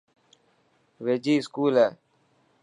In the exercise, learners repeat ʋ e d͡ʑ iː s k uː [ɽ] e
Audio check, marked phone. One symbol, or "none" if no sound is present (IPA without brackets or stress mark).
l